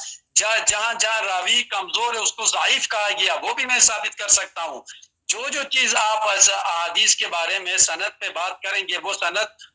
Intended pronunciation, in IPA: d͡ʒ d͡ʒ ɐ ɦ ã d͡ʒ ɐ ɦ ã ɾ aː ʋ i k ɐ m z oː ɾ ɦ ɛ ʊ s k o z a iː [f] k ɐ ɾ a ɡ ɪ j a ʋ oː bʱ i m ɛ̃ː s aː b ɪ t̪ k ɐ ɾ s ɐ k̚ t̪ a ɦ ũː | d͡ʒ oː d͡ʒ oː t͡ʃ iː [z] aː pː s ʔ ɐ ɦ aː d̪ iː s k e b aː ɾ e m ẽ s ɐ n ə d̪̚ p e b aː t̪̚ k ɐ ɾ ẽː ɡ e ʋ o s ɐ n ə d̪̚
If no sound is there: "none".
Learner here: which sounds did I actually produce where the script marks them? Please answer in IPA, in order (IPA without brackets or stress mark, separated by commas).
f, z